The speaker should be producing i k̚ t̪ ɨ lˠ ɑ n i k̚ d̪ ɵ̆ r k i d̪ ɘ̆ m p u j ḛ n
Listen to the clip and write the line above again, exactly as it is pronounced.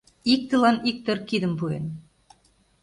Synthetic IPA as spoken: i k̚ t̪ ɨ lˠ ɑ n i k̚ t̪ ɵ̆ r k i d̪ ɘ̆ m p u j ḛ n